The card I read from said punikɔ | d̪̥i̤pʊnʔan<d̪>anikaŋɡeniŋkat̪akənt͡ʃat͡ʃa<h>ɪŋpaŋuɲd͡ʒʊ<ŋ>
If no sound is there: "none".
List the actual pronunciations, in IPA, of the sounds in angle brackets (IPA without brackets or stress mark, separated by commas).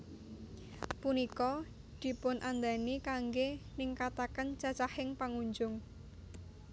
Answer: d̪, h, ŋ